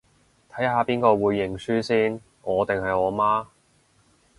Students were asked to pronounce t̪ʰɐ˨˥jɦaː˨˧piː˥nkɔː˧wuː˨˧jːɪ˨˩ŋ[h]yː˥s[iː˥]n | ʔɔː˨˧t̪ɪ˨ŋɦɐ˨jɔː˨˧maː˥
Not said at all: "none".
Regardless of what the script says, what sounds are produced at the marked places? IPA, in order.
s, iː˥

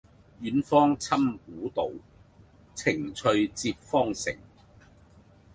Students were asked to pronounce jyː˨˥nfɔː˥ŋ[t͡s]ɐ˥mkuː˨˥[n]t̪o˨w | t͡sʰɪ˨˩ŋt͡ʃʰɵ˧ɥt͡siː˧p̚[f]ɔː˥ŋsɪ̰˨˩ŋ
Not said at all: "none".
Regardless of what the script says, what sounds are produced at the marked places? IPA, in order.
t͡sʰ, none, f

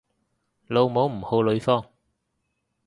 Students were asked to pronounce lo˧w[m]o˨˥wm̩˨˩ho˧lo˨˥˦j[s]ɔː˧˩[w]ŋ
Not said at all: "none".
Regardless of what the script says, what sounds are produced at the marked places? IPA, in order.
m, f, none

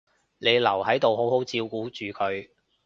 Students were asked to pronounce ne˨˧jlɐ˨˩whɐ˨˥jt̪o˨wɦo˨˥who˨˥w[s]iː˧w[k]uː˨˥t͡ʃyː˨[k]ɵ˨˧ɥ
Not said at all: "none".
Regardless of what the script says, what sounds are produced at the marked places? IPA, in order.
t͡s, k, kʰ

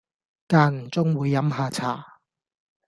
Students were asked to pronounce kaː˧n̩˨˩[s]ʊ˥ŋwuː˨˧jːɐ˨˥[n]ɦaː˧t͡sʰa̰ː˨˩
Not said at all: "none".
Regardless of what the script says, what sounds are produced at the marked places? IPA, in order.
t͡s, m

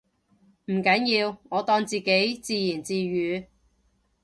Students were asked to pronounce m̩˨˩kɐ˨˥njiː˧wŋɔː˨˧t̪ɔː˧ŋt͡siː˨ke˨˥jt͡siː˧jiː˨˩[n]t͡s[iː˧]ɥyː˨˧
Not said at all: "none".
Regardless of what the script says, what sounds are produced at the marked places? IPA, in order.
n, iː˧

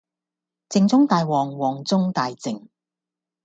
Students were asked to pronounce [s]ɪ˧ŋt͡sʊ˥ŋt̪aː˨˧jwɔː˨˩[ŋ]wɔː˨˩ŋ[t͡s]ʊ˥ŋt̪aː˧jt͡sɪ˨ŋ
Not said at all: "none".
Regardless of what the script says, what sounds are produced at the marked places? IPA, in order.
t͡s, ŋ, t͡s

